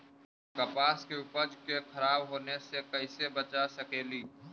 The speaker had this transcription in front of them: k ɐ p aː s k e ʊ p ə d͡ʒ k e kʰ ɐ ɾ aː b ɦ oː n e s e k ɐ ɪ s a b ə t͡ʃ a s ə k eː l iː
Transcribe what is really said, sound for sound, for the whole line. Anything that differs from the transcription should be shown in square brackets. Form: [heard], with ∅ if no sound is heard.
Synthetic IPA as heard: k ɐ p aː s k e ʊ p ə d͡ʒ k e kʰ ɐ ɾ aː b ɦ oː n e s e k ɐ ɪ s [e] b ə t͡ʃ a s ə k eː l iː